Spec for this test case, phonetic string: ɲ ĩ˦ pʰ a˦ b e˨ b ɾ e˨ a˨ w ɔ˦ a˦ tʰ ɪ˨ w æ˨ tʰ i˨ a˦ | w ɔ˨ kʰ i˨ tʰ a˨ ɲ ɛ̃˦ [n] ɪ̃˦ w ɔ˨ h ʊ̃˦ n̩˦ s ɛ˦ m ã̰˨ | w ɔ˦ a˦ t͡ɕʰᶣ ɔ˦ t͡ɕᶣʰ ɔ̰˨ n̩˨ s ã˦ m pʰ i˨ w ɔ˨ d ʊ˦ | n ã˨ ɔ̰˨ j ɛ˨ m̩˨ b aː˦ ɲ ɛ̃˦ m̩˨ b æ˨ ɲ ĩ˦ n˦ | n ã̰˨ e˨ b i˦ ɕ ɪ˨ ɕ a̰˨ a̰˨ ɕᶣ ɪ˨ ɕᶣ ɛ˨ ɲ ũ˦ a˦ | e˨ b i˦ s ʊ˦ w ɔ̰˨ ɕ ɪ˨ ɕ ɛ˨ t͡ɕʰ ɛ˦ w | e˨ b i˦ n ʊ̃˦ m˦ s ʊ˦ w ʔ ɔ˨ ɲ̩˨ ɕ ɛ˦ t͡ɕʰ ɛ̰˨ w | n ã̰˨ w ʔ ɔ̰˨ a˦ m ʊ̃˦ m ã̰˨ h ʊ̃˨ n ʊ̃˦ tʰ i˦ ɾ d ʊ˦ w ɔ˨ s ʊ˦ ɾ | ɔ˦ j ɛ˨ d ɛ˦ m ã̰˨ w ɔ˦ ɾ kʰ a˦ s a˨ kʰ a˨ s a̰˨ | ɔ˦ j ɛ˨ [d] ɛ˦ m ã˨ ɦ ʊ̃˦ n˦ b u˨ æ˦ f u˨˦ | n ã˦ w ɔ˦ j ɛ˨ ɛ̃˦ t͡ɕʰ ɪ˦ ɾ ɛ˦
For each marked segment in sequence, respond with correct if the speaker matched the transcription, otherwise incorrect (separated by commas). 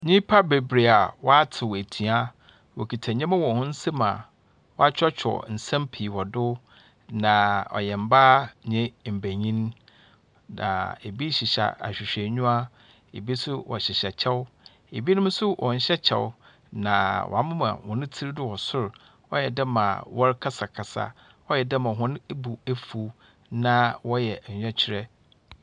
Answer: incorrect, correct